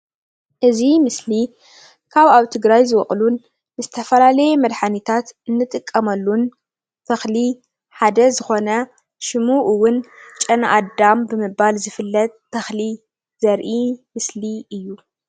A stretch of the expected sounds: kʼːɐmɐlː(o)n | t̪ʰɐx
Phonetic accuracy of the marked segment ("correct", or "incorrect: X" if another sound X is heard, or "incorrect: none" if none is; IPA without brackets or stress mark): incorrect: u